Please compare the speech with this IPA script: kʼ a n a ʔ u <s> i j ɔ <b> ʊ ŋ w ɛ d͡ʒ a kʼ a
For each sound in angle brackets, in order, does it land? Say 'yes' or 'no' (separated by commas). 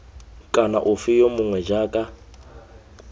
no, no